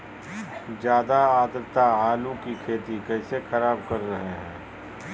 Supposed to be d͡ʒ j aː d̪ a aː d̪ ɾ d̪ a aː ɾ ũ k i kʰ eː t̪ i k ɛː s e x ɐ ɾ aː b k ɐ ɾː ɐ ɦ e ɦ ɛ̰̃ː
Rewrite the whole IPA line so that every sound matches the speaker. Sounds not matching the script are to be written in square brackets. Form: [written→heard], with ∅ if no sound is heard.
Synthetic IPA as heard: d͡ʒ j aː d̪ a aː d̪ ɾ [d̪→t̪] a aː [ɾ→l] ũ k i kʰ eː t̪ i k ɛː s e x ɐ ɾ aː b k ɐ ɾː ɐ ɦ e ɦ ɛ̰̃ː